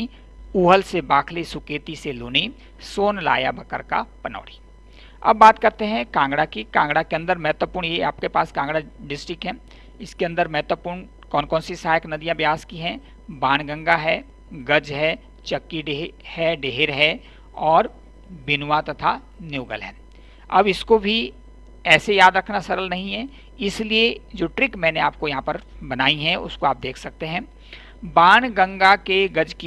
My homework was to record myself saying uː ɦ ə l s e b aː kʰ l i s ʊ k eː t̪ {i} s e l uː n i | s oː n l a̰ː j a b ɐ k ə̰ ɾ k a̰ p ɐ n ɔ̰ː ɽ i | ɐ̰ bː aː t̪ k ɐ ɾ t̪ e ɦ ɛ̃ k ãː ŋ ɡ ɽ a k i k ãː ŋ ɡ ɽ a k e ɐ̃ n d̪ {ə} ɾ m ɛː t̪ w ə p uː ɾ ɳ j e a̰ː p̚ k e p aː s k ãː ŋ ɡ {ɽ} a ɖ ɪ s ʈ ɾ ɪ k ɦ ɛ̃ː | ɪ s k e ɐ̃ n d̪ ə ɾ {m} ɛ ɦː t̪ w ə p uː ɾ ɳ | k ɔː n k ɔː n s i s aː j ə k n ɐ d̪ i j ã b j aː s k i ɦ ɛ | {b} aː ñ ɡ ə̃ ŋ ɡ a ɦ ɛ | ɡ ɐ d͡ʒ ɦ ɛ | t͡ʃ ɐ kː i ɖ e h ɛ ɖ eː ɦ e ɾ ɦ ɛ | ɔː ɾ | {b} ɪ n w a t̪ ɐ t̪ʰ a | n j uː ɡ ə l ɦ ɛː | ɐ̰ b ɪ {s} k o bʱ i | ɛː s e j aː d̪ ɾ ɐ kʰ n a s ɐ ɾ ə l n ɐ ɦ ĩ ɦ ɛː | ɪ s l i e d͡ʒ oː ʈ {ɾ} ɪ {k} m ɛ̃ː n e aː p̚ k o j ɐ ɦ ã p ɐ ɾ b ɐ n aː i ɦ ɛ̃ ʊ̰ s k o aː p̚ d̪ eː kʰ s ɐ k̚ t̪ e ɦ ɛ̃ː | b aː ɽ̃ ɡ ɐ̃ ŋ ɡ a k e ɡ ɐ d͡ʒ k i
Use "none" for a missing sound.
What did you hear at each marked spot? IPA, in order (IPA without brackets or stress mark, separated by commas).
i, ə, ɽ, m, b, b, s, ɾ, k